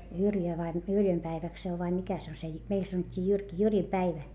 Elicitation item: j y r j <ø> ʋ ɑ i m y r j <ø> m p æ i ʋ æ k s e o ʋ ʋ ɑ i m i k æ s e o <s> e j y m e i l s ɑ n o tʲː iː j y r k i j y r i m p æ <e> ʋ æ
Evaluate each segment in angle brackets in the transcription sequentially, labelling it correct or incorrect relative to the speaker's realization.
correct, correct, correct, incorrect: i

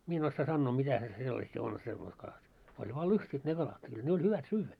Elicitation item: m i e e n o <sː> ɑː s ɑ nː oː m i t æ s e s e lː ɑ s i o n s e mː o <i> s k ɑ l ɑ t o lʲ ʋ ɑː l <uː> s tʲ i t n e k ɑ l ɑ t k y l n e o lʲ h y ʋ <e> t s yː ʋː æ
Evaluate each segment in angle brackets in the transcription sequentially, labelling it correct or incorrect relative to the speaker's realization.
correct, correct, incorrect: u, incorrect: æ

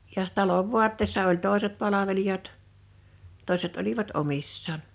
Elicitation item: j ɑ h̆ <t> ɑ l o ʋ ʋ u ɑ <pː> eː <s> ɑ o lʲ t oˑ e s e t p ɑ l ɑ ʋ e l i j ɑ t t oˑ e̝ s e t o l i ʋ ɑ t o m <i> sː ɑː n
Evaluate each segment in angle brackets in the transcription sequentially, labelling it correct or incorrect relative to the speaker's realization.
correct, incorrect: tː, incorrect: sː, correct

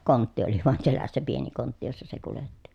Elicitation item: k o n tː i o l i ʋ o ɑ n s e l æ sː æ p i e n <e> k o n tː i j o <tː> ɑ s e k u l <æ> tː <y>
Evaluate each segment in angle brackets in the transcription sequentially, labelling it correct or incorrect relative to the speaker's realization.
incorrect: i, incorrect: sː, incorrect: e, incorrect: i

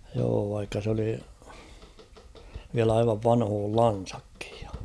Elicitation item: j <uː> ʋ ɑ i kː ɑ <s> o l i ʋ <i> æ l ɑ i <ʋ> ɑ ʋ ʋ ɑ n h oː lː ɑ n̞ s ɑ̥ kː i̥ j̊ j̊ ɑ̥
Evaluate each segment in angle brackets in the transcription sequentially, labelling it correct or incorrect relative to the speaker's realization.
incorrect: oː, correct, correct, correct

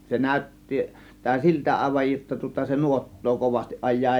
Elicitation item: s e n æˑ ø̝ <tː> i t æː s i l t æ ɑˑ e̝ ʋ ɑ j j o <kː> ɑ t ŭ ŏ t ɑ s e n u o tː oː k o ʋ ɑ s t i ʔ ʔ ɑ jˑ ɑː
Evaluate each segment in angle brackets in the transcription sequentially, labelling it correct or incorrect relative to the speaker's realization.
correct, incorrect: tː

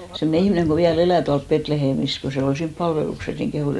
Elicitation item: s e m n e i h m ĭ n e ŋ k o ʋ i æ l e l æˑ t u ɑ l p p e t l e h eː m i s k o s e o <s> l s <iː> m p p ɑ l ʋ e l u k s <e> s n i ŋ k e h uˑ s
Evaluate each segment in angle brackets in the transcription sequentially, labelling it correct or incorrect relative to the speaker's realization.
incorrect: none, correct, correct

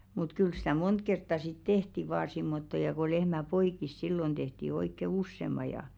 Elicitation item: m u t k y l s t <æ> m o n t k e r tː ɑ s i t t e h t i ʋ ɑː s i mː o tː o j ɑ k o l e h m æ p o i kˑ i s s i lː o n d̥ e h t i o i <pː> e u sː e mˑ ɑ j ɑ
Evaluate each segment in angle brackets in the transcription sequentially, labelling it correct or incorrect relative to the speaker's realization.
correct, incorrect: kː

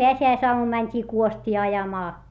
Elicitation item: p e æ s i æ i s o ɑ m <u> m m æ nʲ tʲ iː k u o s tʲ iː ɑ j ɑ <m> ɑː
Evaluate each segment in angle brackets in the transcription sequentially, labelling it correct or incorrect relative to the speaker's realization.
correct, correct

